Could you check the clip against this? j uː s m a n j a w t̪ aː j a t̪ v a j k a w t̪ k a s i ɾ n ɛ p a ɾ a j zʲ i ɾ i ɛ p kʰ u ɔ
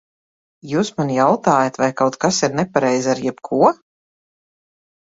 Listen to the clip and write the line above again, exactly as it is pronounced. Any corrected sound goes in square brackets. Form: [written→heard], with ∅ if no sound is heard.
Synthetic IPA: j uː s m a n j a w t̪ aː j a t̪ v a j k a w t̪ k a s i ɾ n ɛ p a ɾ [a→ɛ] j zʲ [i→a] ɾ [i→j] ɛ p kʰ u ɔ